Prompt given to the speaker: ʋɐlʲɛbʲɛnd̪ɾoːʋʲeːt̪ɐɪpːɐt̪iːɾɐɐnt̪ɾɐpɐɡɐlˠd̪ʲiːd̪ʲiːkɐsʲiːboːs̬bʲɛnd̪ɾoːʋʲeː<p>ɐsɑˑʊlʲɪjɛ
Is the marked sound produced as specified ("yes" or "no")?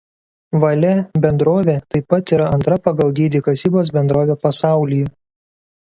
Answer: yes